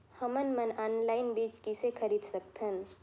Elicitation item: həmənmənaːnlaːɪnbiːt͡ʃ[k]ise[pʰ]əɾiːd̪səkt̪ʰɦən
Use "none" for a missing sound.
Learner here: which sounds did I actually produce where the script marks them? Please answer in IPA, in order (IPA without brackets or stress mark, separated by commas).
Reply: k, kʰ